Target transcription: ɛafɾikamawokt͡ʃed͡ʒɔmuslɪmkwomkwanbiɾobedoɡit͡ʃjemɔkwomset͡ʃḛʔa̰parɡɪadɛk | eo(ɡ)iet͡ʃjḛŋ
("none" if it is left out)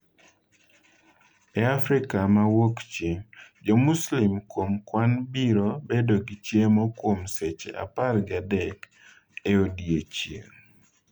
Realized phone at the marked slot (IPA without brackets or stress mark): d